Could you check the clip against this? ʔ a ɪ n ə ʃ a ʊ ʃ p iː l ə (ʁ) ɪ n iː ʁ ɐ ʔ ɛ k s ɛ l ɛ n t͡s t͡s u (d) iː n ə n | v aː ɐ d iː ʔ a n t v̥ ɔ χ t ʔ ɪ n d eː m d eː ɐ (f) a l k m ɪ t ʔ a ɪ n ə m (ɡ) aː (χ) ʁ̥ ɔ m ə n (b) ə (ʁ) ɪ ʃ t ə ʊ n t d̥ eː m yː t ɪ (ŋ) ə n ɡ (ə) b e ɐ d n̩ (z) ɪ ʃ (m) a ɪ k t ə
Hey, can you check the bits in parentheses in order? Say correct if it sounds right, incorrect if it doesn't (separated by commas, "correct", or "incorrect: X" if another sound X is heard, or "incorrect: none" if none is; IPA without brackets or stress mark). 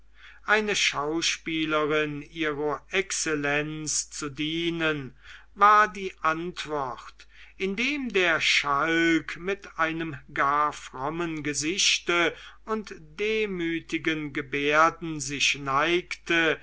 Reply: correct, correct, incorrect: ʃ, correct, incorrect: f, incorrect: ɡ, incorrect: z, incorrect: ɡ, correct, correct, incorrect: n